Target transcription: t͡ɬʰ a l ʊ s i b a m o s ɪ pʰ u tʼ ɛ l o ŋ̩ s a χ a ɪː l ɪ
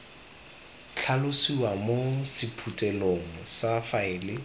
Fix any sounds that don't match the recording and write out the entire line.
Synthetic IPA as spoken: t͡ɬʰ a l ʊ s i w a m o s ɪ pʰ u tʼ ɛ l o ŋ̩ s a f a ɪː l ɪ